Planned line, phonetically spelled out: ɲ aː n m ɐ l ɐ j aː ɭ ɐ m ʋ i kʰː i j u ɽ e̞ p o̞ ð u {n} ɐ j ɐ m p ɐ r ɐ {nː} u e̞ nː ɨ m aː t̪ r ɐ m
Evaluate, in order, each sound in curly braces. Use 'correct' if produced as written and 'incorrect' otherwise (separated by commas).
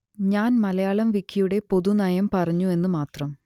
correct, incorrect